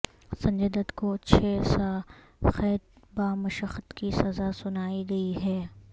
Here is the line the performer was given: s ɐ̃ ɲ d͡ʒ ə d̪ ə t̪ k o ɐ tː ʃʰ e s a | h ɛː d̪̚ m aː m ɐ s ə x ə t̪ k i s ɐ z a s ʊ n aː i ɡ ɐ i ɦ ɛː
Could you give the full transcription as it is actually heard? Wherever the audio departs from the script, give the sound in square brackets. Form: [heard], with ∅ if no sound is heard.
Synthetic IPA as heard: s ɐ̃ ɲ d͡ʒ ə d̪ ə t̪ k o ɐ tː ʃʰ e s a | [x] ɛː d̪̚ [b] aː m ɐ [ʃ] ə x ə t̪ k i s ɐ z a s ʊ n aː i ɡ ɐ i ɦ ɛː